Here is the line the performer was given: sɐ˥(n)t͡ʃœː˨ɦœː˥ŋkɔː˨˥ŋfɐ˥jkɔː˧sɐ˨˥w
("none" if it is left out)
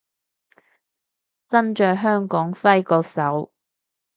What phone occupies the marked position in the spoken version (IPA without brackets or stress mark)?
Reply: n